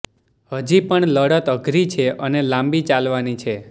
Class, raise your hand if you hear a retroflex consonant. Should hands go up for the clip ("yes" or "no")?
yes